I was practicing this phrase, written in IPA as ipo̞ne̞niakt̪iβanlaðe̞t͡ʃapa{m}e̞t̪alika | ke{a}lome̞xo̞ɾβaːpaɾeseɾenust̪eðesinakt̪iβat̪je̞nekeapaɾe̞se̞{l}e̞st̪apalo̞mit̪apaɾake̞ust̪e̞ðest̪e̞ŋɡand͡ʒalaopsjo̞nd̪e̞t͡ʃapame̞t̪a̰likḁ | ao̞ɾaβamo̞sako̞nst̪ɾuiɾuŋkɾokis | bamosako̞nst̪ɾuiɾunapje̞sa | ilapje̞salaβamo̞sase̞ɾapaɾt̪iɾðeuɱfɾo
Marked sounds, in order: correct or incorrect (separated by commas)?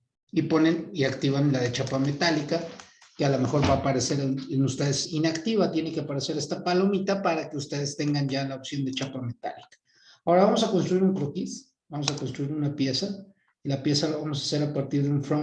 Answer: correct, correct, incorrect